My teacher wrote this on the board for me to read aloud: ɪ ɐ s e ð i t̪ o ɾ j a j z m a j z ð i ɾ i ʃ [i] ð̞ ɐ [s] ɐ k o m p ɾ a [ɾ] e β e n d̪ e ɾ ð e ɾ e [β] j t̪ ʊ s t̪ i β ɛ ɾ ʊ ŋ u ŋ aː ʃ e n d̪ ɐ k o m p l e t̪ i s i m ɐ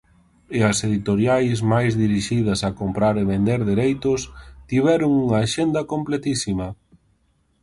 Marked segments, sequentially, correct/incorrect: correct, correct, correct, incorrect

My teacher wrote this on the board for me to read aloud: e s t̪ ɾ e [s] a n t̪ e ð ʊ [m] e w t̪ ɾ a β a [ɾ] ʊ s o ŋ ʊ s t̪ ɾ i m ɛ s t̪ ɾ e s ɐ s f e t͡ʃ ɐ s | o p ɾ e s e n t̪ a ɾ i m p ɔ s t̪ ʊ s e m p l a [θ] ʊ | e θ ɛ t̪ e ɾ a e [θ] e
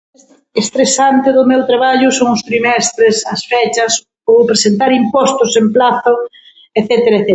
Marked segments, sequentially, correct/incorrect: correct, correct, incorrect, correct, correct

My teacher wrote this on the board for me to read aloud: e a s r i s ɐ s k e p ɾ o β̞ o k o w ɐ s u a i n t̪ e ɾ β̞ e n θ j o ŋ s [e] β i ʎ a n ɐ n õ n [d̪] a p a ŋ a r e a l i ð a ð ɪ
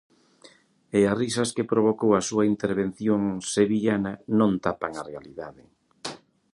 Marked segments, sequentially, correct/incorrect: correct, incorrect

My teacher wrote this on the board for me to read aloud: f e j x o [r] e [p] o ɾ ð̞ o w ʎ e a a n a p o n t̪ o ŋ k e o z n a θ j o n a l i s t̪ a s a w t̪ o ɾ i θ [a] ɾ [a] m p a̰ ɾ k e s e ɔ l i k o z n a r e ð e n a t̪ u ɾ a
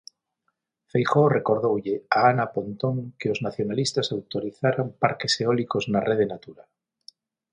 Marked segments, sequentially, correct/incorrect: correct, incorrect, correct, correct

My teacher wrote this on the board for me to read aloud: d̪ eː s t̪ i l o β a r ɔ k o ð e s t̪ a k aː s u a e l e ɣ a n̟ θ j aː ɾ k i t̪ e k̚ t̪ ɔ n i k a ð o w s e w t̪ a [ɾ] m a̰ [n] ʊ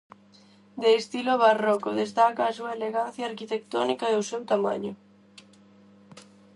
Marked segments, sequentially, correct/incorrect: incorrect, incorrect

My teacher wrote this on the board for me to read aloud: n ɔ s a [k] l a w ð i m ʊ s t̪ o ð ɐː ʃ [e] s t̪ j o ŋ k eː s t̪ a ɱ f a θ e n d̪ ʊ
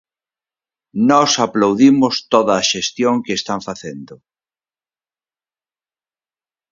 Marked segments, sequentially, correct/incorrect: incorrect, correct

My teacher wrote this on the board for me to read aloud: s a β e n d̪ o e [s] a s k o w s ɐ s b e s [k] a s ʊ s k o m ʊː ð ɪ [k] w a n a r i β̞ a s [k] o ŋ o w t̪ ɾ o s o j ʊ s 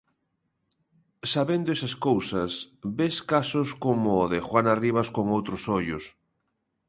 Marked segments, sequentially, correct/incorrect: correct, correct, incorrect, correct

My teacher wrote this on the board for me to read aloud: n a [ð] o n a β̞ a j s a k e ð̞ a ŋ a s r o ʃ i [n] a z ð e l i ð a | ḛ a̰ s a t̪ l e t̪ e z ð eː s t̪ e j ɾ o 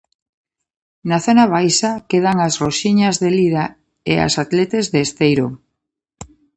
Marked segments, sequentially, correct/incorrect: incorrect, incorrect

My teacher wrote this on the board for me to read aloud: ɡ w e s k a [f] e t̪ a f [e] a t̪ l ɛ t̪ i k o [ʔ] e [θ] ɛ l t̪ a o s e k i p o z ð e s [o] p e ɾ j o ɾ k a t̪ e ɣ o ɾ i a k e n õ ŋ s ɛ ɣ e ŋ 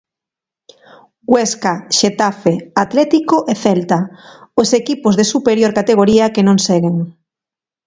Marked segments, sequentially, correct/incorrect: incorrect, correct, correct, correct, incorrect

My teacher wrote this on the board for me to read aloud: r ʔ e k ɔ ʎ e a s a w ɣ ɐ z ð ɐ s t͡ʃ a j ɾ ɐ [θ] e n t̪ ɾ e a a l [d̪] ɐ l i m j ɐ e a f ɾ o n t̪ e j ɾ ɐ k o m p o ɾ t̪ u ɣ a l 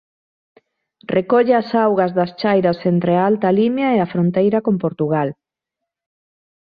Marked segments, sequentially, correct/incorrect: incorrect, incorrect

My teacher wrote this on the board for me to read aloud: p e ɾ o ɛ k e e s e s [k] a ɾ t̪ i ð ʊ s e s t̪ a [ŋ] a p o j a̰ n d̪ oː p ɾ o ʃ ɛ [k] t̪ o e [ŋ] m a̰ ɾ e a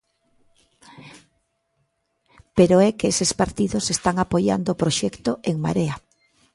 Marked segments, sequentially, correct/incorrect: incorrect, correct, correct, correct

